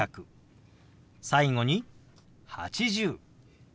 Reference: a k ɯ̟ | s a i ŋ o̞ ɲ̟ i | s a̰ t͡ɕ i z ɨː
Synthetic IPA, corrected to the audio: a k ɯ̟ | s a i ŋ o̞ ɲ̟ i | h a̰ t͡ɕ i ʑ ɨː